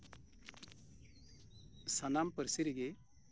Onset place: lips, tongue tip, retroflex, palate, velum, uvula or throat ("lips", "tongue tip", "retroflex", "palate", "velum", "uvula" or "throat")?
tongue tip